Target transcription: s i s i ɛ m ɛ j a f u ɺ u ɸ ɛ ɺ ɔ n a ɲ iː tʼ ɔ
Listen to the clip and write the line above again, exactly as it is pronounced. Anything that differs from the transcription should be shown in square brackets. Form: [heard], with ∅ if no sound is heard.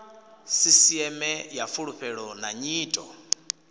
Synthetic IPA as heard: s i s i ɛ m ɛ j a f u ɺ u ɸ ɛ ɺ ɔ n a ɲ iː tʼ ɔ